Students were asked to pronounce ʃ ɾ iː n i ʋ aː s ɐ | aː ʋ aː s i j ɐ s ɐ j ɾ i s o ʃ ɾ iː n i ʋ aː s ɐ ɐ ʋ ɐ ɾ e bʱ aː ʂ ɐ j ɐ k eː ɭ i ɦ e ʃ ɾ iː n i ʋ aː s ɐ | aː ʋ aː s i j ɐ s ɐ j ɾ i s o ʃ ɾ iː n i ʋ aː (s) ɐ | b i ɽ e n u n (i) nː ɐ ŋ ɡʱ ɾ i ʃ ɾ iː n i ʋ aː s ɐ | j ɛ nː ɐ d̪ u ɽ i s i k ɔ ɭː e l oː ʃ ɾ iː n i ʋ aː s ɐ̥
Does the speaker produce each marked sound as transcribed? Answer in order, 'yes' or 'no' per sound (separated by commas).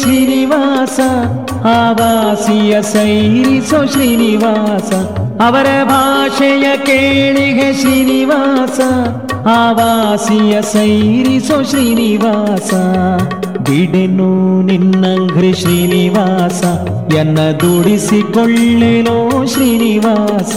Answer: yes, yes